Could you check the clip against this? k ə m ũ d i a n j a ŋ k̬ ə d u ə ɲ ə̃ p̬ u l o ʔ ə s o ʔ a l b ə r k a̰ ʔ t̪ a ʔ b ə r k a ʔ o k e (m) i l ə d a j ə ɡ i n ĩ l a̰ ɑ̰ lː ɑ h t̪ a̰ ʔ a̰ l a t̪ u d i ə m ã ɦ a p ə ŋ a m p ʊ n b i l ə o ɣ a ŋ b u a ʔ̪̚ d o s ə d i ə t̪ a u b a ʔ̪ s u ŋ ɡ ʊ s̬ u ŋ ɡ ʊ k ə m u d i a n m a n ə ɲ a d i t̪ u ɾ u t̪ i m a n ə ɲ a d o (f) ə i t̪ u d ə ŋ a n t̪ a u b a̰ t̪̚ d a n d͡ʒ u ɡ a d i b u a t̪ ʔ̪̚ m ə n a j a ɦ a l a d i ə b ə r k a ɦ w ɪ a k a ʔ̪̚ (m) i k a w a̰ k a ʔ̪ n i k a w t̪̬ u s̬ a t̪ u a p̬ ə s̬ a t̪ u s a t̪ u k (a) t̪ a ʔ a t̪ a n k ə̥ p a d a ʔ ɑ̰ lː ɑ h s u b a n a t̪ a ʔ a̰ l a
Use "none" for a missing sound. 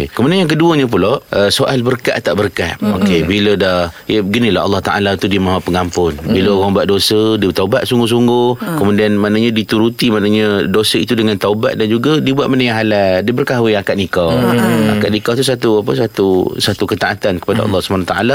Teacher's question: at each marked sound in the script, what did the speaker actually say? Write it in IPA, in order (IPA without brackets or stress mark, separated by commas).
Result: b, s, n, ə